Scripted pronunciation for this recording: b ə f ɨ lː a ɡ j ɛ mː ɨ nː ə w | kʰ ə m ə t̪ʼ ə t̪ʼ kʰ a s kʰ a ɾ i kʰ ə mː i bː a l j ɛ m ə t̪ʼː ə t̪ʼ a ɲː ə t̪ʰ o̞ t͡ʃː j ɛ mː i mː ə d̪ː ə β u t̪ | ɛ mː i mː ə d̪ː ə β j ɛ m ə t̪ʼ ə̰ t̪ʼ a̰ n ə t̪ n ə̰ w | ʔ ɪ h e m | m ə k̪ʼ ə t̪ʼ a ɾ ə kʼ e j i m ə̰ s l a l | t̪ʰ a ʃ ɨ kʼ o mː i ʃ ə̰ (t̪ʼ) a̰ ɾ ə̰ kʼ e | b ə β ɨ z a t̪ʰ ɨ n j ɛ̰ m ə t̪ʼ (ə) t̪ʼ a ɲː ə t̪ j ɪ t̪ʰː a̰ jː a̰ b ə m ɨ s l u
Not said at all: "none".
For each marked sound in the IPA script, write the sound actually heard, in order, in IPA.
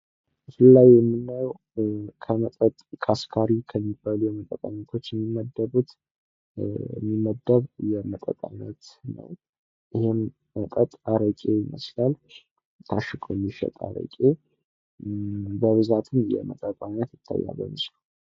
t̪ʼ, ə

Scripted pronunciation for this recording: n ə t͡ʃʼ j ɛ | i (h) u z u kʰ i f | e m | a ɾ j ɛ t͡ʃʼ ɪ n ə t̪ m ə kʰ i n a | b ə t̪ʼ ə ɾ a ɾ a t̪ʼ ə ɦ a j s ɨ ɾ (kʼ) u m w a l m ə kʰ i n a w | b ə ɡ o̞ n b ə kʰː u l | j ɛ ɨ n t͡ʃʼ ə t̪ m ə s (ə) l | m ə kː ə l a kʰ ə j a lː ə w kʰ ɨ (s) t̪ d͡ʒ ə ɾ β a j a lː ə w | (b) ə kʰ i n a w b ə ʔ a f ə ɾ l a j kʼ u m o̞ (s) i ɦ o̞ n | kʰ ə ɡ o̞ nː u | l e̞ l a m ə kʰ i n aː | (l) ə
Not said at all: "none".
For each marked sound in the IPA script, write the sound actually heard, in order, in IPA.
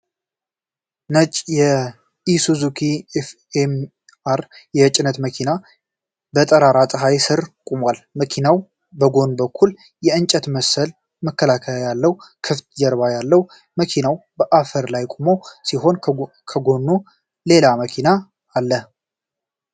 s, kʼ, ə, f, m, s, lː

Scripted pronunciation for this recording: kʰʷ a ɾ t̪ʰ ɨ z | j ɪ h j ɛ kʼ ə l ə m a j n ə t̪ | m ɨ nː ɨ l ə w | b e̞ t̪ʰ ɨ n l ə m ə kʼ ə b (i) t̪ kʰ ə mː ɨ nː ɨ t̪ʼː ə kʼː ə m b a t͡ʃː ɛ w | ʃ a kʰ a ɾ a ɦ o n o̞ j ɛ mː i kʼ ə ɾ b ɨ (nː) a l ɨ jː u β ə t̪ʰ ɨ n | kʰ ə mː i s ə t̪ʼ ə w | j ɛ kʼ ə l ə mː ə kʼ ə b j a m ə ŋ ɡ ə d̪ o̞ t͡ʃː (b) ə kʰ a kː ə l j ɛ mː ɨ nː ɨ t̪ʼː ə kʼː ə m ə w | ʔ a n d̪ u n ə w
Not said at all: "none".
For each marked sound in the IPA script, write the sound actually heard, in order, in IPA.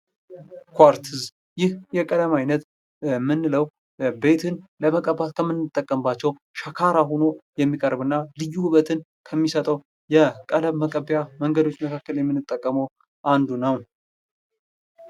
a, nː, m

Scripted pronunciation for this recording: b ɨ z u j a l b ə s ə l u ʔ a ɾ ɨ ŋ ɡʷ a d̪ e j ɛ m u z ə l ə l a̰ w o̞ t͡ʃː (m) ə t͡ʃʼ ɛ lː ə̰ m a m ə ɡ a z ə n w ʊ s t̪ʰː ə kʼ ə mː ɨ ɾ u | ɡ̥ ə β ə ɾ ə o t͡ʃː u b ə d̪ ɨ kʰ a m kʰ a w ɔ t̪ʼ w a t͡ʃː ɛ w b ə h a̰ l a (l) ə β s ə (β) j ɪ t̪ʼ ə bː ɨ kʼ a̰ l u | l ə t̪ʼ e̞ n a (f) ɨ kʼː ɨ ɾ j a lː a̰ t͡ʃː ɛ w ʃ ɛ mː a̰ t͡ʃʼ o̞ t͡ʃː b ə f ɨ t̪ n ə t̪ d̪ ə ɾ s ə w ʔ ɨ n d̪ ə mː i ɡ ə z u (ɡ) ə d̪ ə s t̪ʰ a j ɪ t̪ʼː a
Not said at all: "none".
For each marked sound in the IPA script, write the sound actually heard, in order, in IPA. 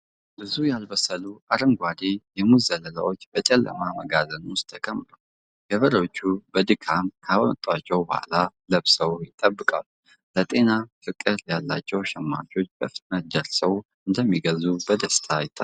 b, l, w, f, b

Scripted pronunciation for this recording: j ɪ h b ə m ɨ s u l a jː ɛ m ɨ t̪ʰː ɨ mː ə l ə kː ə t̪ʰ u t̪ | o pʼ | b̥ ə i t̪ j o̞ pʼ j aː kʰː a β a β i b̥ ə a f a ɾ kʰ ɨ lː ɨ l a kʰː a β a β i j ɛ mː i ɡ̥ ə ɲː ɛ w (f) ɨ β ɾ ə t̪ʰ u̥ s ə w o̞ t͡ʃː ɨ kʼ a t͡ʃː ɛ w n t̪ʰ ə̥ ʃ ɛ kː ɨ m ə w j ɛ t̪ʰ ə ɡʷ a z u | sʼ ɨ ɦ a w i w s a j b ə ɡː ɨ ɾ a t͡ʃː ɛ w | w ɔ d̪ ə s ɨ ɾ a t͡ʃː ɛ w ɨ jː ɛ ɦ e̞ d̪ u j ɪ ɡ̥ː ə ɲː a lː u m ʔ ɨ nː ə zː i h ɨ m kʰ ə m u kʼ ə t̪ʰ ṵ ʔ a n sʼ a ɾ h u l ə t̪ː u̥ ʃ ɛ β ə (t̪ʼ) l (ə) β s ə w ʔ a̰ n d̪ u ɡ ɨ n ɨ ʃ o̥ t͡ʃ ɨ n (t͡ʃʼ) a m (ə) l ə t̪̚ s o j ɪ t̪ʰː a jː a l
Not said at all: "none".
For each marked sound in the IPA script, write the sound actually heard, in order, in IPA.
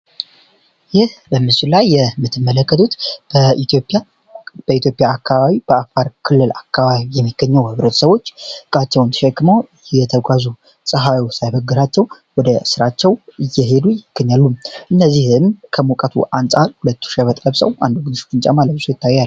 h, t̪ʼ, ə, t͡ʃʼ, a

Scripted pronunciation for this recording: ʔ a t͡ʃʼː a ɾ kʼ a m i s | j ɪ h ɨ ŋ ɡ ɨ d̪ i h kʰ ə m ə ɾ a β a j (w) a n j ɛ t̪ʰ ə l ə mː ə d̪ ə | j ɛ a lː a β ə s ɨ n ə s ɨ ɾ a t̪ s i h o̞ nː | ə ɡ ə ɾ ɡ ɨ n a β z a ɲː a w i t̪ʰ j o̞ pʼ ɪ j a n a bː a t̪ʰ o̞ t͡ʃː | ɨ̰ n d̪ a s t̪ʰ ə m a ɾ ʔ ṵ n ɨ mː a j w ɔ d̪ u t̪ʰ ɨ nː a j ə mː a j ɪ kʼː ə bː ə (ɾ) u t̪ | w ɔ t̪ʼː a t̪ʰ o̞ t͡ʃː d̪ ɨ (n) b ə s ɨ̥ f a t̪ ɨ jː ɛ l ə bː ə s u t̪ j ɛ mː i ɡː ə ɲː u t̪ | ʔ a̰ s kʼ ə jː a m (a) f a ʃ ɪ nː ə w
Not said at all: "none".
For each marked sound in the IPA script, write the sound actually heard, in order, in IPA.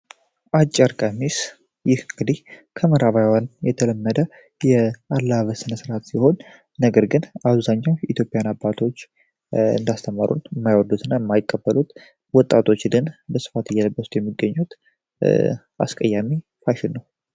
w, l, n, i

